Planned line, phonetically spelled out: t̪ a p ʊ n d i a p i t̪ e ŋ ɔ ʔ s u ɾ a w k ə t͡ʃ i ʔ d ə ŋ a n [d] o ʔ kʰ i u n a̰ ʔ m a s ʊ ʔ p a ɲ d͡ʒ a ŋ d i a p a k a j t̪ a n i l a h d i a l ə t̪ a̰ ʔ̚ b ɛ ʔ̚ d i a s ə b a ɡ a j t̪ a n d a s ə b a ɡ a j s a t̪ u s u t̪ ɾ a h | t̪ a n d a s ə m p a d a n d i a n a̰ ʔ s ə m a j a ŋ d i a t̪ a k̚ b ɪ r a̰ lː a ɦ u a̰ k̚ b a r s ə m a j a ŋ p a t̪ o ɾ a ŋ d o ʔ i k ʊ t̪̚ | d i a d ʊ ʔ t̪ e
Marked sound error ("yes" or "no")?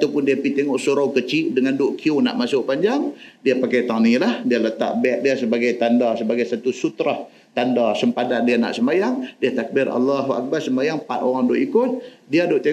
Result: no